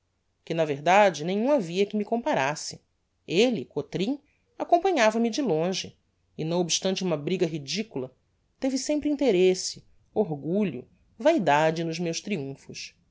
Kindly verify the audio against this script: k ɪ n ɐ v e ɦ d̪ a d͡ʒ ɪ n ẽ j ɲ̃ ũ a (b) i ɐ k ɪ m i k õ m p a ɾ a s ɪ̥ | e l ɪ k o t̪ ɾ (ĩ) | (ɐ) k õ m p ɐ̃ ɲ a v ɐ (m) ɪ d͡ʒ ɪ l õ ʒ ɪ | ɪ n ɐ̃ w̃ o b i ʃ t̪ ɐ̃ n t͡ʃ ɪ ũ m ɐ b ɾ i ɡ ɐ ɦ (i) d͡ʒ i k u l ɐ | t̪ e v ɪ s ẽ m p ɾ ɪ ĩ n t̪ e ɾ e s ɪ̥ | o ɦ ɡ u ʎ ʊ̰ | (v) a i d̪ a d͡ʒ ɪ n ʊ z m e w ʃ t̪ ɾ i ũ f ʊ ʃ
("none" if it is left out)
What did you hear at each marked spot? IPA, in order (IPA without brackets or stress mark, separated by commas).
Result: v, ĩ, a, m, i, v